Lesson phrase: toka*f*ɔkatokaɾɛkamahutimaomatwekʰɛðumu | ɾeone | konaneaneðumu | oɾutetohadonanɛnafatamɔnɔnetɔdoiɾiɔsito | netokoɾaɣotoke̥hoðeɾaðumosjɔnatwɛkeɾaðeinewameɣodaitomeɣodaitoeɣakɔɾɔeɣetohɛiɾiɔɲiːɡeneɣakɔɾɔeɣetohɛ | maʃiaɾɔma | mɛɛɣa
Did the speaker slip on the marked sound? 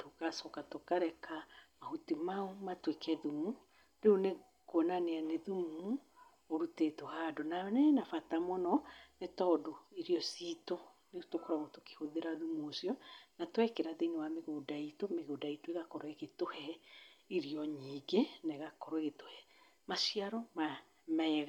yes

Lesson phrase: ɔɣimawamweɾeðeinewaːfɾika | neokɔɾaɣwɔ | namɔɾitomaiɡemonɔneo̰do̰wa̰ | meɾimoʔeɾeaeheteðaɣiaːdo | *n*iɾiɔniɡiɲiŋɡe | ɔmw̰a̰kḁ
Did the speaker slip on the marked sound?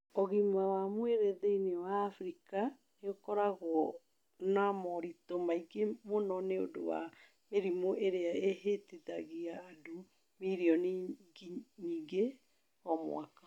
yes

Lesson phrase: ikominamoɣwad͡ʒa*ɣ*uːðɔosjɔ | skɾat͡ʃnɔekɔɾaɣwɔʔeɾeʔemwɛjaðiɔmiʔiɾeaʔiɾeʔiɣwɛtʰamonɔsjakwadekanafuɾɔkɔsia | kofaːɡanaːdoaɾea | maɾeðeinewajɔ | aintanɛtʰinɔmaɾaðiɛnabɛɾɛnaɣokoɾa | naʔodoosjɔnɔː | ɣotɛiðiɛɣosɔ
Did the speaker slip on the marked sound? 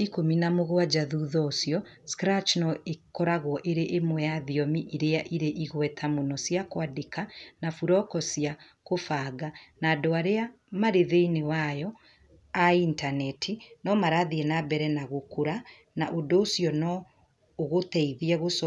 yes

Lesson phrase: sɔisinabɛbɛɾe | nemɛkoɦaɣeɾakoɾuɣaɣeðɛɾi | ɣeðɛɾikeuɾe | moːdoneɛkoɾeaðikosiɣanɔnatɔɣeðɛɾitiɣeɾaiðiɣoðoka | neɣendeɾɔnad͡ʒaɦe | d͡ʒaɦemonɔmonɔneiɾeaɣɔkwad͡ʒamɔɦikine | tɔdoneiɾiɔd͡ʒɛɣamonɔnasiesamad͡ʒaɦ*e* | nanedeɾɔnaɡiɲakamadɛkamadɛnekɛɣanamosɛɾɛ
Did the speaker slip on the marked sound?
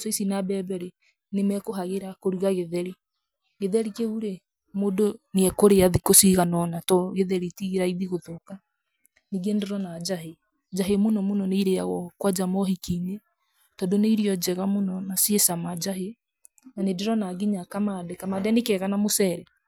no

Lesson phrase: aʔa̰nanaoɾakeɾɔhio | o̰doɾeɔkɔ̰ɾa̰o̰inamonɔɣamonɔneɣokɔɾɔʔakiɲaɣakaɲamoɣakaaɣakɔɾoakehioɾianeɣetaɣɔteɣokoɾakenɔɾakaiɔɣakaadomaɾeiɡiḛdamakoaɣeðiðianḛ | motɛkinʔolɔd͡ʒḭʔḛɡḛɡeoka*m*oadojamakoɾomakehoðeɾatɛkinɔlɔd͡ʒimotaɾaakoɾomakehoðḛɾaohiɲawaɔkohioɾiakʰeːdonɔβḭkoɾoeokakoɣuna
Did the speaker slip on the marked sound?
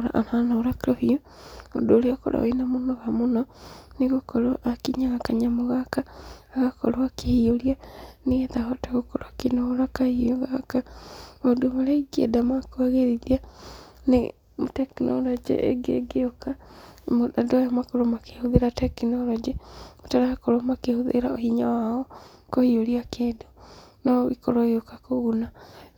no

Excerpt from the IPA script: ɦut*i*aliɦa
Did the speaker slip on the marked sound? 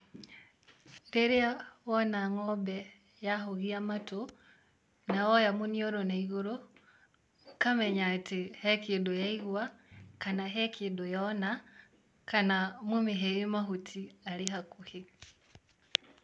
no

